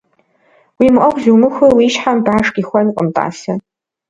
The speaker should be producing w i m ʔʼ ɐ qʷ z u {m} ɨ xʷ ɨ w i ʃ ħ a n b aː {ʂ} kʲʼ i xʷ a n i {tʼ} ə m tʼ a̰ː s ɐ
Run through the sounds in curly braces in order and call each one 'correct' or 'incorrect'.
correct, correct, incorrect

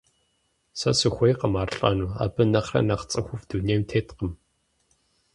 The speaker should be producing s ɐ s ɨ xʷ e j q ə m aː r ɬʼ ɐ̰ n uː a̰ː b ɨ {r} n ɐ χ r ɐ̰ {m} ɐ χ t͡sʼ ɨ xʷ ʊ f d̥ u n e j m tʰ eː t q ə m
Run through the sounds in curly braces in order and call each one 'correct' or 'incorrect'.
incorrect, incorrect

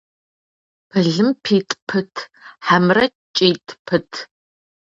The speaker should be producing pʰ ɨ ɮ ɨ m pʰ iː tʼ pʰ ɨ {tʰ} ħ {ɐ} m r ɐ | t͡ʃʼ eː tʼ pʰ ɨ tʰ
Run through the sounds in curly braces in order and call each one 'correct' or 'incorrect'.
correct, incorrect

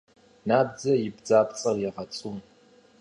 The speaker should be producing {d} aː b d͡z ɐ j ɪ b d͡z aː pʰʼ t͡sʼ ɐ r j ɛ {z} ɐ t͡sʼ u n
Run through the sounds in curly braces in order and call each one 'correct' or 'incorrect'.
incorrect, incorrect

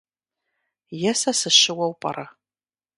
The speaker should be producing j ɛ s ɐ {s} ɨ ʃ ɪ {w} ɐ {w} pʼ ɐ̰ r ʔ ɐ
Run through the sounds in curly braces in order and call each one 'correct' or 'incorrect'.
correct, correct, correct

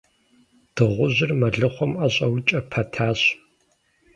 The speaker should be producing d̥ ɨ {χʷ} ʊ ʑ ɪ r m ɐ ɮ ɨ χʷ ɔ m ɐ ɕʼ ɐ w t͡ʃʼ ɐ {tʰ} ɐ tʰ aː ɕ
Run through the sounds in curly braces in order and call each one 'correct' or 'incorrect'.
incorrect, incorrect

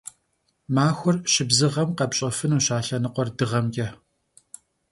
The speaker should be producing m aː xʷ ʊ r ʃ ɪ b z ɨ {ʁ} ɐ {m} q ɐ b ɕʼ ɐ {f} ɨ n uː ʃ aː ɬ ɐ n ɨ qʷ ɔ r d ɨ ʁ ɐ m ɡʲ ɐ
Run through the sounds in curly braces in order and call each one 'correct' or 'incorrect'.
correct, correct, correct

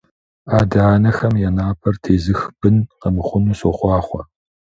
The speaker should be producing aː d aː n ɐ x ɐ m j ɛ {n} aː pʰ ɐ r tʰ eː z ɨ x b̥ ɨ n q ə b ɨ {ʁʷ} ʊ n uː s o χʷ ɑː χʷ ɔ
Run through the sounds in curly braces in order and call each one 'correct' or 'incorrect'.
correct, incorrect

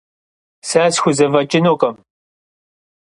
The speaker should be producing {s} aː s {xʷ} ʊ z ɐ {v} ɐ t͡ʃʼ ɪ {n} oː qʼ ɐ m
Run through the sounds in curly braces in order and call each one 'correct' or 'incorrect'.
correct, correct, correct, correct

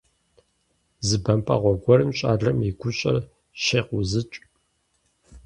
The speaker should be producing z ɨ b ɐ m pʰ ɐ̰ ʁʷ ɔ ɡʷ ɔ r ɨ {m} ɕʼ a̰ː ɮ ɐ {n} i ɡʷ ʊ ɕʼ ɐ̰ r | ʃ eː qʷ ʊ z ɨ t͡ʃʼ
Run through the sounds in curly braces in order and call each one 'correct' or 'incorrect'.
correct, incorrect

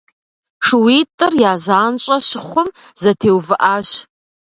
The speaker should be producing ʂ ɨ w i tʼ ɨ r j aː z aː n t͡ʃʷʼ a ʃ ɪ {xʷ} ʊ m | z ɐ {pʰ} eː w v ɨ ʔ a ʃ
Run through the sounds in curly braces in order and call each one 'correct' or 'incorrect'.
incorrect, incorrect

